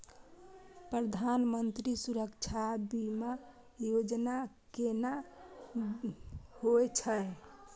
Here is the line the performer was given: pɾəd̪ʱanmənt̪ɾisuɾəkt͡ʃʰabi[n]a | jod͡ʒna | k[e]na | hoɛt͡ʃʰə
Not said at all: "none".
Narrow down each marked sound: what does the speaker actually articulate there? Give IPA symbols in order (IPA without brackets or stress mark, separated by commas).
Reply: m, e